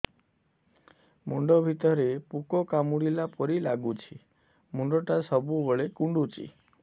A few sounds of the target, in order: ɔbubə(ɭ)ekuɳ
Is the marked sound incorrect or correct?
correct